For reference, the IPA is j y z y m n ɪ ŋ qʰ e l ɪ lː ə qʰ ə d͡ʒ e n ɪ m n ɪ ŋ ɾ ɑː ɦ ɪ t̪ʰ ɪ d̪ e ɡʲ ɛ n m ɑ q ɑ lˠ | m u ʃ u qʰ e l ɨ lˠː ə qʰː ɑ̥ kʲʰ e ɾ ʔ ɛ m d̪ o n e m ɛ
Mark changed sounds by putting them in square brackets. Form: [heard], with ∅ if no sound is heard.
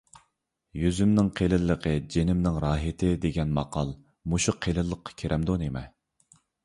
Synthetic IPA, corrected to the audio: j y z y m n ɪ ŋ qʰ e l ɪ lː ə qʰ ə d͡ʒ e n ɪ m n ɪ ŋ ɾ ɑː ɦ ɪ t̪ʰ ɪ d̪ e ɡʲ ɛ n m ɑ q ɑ lˠ | m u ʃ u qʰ e l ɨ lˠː ə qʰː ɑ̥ kʲʰ e ɾ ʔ ɛ m d̪ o n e m ɛ